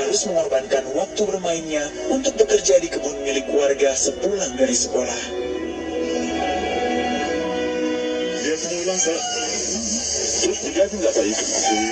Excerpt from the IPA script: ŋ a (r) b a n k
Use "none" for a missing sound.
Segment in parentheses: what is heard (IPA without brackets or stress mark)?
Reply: r